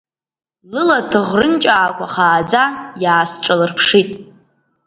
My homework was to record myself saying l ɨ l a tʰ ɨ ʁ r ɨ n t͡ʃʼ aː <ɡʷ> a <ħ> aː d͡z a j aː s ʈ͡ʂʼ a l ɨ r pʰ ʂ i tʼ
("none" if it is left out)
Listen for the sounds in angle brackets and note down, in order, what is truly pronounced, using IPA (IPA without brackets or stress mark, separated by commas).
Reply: kʷ, χ